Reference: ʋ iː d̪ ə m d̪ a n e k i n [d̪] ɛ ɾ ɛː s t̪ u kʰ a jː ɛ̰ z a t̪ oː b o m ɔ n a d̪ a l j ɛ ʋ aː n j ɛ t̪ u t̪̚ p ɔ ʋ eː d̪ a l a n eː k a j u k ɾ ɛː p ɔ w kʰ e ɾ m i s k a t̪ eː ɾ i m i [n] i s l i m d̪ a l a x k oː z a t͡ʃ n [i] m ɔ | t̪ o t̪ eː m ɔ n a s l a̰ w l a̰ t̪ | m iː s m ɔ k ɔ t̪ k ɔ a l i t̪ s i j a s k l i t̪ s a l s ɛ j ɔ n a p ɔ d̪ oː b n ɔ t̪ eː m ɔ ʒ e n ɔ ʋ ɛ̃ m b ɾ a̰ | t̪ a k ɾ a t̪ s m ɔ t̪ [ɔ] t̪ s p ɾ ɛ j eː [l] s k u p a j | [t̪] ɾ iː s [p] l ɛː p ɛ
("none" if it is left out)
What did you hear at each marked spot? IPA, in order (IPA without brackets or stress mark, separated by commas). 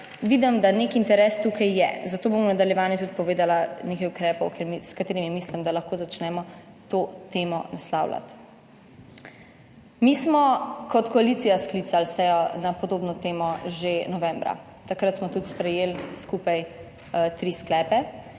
t̪, m, ɛ, u, l, t̪, k